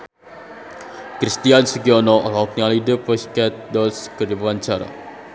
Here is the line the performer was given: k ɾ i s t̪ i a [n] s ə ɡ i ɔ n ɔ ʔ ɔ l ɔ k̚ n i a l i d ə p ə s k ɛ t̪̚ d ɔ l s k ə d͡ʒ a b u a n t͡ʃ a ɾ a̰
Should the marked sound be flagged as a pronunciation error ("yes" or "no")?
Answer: no